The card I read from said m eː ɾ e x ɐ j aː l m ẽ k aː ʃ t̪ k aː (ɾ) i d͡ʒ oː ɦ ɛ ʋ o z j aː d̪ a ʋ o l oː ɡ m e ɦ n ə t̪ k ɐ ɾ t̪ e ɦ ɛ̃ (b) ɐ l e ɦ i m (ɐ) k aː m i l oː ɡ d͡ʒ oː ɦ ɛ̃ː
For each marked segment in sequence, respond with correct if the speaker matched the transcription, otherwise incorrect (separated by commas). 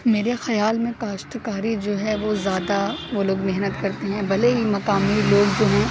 correct, correct, correct